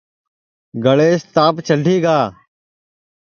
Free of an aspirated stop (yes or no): yes